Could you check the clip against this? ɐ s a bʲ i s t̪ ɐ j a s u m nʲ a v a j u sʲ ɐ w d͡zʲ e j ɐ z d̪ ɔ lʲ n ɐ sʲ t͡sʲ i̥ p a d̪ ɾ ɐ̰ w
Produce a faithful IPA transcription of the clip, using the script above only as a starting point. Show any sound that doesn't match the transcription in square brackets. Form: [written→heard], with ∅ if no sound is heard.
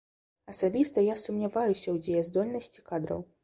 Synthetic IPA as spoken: ɐ s a bʲ i s t̪ ɐ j a s u m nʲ a v a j u sʲ ɐ w d͡zʲ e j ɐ z d̪ ɔ lʲ n ɐ sʲ t͡sʲ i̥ [p→k] a d̪ ɾ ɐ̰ w